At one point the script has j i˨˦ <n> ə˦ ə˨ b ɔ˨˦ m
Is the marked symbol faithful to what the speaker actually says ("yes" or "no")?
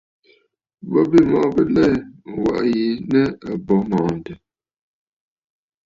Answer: yes